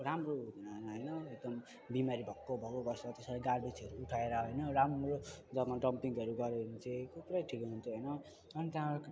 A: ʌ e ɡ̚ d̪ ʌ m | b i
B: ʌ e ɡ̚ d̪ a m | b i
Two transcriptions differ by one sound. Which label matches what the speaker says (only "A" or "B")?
A